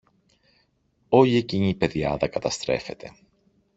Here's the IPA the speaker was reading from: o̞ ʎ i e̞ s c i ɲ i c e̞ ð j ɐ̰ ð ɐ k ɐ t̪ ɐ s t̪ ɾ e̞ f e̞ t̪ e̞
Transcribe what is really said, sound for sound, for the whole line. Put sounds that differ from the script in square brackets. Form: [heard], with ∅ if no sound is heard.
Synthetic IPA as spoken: o̞ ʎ i e̞ [∅] c i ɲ i [p] e̞ ð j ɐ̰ ð ɐ k ɐ t̪ ɐ s t̪ ɾ e̞ f e̞ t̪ e̞